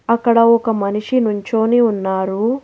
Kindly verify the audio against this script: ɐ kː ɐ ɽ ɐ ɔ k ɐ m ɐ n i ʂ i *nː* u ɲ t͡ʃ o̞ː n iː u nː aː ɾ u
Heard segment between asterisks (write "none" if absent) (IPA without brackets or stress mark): n